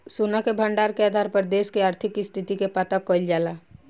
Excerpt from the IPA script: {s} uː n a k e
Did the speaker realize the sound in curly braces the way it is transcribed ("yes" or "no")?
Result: yes